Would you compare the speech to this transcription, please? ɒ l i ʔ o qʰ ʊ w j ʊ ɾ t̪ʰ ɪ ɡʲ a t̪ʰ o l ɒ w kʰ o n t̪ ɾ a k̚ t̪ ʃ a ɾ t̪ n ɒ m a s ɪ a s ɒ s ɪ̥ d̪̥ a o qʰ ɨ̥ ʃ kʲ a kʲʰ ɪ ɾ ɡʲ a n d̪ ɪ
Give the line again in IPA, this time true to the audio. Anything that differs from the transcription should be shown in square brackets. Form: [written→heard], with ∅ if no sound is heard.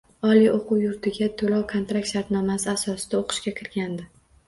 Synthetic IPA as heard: ɒ l i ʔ o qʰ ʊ w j ʊ ɾ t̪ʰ ɪ ɡʲ a t̪ʰ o l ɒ w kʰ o n t̪ ɾ a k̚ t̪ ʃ a ɾ t̪ n ɒ m a s ɪ a s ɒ s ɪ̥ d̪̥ a o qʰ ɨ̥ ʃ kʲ a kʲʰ ɪ ɾ ɡʲ a n d̪ ɪ